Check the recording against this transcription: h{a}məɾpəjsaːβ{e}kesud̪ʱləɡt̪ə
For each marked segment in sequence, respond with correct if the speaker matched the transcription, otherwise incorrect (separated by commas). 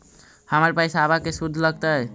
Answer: incorrect, incorrect